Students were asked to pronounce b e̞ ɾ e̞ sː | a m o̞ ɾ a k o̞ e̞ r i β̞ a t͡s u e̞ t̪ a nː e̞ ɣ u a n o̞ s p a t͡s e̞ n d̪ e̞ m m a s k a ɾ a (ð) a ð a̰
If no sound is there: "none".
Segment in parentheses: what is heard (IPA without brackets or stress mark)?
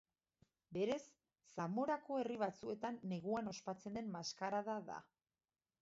ð